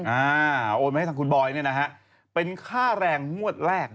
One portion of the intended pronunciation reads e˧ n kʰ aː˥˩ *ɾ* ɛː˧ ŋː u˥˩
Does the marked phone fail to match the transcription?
no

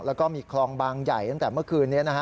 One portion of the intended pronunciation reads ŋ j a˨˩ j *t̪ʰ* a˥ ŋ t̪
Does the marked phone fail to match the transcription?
yes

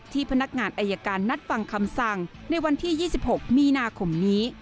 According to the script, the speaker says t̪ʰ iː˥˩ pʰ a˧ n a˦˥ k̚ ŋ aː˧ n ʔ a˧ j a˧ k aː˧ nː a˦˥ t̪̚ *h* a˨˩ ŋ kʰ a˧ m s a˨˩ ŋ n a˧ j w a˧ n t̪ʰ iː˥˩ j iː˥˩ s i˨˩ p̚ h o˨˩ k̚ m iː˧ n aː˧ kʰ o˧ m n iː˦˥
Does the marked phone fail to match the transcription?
yes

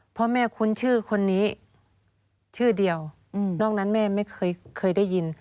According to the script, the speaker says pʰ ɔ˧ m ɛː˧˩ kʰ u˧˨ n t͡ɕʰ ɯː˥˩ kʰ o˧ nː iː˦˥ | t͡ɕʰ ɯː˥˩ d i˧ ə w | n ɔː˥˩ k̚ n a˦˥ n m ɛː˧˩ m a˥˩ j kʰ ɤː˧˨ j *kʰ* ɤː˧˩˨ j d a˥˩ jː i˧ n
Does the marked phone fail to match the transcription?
no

